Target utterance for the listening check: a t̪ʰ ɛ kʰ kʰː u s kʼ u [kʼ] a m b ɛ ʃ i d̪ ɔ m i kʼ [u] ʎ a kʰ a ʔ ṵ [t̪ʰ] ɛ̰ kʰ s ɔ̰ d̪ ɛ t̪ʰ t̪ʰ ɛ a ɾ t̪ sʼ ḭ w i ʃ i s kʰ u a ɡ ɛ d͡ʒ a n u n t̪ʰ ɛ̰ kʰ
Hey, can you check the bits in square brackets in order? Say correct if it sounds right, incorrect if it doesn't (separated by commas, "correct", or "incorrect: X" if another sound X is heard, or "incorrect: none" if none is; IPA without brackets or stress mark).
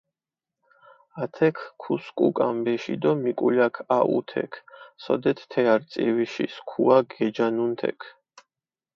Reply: correct, correct, correct